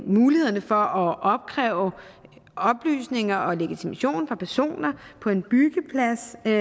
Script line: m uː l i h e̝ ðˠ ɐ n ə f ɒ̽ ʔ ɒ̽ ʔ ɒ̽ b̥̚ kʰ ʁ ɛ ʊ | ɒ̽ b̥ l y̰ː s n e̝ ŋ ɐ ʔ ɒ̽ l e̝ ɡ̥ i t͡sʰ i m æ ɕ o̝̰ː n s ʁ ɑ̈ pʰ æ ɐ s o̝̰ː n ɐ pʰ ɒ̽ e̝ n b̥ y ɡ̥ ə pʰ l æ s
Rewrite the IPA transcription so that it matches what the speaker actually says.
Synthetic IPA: m uː l i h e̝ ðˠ ɐ n ə f ɒ̽ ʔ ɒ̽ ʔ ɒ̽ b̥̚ kʰ ʁ ɛ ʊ | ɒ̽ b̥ l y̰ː s n e̝ ŋ ɐ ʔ ɒ̽ l e̝ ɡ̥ i t͡sʰ i m æ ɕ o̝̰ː n f ʁ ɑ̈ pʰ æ ɐ s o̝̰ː n ɐ pʰ ɒ̽ e̝ n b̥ y ɡ̥ ə pʰ l æ s